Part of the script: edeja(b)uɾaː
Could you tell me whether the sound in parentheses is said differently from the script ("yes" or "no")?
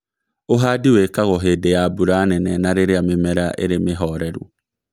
no